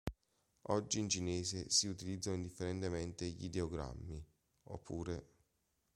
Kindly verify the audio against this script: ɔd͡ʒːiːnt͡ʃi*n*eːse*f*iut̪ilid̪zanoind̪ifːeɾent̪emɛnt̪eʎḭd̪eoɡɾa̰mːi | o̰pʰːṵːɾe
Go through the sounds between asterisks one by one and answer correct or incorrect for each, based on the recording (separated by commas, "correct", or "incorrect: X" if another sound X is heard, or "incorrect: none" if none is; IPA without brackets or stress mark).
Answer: correct, incorrect: s